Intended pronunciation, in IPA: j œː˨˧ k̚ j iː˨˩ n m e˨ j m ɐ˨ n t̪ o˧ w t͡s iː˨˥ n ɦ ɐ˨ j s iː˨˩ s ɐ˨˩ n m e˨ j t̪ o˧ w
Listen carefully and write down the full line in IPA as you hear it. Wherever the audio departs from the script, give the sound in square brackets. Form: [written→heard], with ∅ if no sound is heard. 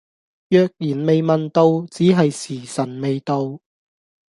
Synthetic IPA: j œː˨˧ k̚ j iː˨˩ n m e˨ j m ɐ˨ n t̪ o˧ w t͡s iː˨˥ [n→∅] ɦ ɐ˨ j s iː˨˩ s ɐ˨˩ n m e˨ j t̪ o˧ w